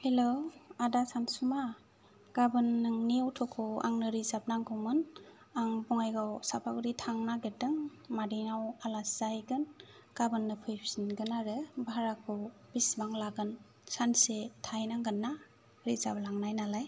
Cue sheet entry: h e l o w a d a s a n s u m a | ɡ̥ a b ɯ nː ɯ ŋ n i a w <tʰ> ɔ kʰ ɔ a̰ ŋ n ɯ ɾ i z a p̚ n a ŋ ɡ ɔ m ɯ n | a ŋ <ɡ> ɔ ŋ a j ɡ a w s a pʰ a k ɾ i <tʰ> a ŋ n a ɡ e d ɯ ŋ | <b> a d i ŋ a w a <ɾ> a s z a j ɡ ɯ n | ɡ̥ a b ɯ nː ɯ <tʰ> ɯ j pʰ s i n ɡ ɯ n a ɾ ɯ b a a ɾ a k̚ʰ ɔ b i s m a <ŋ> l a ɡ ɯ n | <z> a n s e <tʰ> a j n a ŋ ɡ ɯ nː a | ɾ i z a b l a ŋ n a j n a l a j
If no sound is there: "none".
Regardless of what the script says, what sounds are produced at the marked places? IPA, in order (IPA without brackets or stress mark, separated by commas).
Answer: tʰ, b, tʰ, m, l, pʰ, ŋ, s, tʰ